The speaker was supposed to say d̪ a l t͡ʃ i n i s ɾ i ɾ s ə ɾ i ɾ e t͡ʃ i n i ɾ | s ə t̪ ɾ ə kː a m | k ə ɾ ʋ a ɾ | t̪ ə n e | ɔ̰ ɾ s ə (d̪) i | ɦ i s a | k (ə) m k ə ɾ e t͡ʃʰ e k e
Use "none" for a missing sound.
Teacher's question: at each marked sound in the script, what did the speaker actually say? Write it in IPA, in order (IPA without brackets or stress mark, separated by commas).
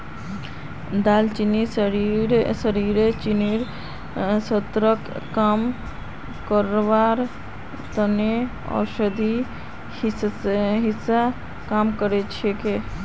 d̪, a